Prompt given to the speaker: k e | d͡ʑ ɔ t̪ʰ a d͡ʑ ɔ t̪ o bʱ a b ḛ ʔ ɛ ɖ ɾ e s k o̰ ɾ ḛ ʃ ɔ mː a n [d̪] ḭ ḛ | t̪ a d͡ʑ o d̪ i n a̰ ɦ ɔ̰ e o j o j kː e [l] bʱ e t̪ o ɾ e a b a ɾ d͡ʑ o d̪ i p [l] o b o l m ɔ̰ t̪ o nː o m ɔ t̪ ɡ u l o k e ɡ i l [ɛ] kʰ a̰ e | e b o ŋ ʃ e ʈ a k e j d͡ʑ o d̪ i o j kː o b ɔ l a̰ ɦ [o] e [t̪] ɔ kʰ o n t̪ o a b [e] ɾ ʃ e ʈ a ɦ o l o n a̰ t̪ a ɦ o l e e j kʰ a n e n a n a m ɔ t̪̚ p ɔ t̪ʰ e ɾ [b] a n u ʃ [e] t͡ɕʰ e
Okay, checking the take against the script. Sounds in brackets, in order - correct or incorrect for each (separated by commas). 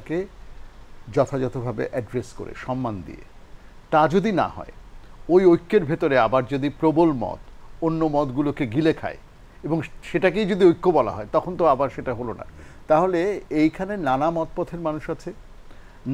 correct, incorrect, incorrect, incorrect, incorrect, correct, incorrect, incorrect, incorrect